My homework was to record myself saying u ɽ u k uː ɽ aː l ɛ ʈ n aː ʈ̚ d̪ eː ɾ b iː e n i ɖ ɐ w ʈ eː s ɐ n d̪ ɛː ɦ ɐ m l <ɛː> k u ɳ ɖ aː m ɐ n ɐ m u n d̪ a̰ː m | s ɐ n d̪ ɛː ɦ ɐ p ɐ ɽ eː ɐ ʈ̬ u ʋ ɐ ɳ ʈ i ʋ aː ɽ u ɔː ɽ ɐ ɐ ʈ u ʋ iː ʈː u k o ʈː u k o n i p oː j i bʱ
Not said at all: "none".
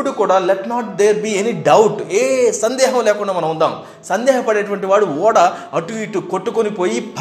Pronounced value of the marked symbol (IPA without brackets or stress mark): ɛː